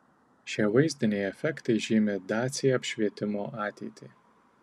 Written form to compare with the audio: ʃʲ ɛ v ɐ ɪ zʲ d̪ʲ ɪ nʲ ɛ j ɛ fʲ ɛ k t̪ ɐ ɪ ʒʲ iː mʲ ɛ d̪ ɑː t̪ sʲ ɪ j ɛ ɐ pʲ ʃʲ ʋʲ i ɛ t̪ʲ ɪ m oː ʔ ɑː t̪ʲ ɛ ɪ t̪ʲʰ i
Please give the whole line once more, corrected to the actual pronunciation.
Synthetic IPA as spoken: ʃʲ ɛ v ɐ ɪ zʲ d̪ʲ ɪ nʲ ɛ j ɛ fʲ ɛ k t̪ ɐ ɪ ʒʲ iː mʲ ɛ d̪ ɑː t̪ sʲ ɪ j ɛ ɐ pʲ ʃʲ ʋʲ i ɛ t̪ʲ ɪ m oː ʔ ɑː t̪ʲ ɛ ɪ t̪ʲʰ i